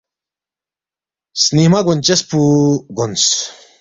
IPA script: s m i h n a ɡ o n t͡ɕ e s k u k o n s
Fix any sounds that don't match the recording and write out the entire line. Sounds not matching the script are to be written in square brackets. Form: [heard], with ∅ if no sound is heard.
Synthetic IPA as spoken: s [n] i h [m] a ɡ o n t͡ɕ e s [p] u [ɡ] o n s